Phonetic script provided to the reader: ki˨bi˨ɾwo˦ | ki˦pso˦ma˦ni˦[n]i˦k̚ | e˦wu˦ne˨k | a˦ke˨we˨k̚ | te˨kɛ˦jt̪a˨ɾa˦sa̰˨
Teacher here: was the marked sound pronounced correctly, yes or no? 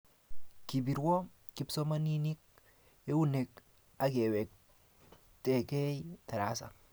yes